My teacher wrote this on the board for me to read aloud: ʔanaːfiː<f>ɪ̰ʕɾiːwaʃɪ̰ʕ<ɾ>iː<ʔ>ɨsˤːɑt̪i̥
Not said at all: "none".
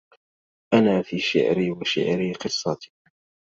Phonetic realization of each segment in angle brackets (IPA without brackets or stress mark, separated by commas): ʃ, ɾ, q